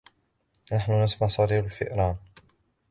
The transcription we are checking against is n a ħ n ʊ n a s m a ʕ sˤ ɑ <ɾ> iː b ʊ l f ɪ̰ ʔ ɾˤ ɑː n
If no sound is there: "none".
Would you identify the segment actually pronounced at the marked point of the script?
ɾ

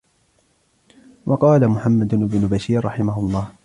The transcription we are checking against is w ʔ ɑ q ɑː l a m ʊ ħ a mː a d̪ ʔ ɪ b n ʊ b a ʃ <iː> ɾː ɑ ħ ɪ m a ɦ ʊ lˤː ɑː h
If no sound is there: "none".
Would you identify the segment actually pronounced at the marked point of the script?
iː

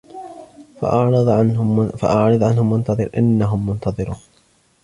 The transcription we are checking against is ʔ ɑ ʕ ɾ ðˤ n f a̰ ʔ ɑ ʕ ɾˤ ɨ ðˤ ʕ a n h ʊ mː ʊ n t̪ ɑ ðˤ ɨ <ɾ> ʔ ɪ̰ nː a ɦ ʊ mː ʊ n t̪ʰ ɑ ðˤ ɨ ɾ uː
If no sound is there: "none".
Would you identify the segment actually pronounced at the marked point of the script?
ɾ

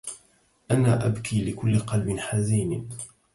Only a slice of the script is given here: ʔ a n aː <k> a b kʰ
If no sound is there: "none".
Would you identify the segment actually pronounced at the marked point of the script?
ʔ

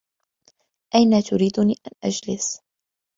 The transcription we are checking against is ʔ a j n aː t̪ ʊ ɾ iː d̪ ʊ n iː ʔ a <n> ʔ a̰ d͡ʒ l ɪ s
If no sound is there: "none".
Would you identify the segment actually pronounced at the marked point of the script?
n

